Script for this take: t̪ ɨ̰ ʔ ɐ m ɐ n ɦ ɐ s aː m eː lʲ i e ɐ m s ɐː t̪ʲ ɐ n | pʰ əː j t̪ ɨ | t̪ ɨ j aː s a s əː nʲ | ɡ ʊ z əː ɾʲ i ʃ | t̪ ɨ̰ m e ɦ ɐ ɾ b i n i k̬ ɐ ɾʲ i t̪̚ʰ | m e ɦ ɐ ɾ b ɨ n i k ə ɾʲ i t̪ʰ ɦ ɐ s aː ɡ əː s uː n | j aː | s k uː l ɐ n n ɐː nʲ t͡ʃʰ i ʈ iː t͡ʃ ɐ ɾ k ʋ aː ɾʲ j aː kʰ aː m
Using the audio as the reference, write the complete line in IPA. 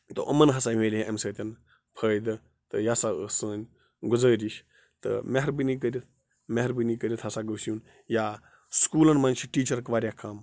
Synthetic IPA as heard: t̪ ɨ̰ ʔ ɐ m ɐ n ɦ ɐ s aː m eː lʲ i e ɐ m s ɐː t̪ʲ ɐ n | pʰ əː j d̪ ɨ | t̪ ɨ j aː s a s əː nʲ | ɡ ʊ z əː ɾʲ i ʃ | t̪ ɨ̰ m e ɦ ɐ ɾ b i n i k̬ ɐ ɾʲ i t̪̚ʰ | m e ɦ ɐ ɾ b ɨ n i k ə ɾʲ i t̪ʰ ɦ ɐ s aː ɡ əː s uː n | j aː | s k uː l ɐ n m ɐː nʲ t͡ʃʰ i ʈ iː t͡ʃ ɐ ɾ k ʋ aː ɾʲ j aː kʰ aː m